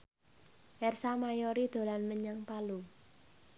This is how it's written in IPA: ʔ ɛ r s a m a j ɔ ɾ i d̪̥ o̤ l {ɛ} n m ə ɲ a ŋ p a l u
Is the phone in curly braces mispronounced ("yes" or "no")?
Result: yes